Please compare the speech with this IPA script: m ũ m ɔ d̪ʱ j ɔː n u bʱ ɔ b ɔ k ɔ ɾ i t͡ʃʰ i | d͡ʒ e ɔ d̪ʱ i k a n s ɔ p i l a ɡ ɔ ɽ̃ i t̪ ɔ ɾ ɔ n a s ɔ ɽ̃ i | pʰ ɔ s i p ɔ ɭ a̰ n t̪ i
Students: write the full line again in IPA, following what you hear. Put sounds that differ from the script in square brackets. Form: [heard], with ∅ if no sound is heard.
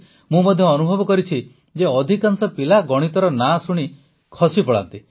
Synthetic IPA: m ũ m ɔ d̪ʱ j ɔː n u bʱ ɔ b ɔ k ɔ ɾ i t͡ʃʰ i | d͡ʒ e ɔ d̪ʱ i k a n s ɔ p i l a ɡ ɔ ɽ̃ i t̪ ɔ ɾ ɔ n a s [u] ɽ̃ i | [kʰ] ɔ s i p ɔ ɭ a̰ n t̪ i